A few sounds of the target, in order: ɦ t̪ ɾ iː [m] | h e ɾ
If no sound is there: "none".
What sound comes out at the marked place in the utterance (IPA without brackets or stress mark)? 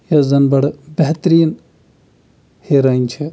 n